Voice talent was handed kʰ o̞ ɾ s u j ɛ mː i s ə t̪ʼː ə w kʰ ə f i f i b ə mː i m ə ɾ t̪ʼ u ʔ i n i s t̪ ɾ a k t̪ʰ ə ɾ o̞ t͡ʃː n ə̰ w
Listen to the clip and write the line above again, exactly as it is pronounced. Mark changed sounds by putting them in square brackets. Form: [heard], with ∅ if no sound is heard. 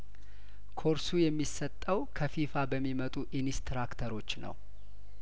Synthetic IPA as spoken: kʰ o̞ ɾ s u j ɛ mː i s ə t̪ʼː ə w kʰ ə f i f [a] b ə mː i m ə [∅] t̪ʼ u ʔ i n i s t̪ ɾ a k t̪ʰ ə ɾ o̞ t͡ʃː n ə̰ w